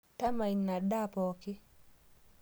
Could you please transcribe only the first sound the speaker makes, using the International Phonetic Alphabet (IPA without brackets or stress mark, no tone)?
t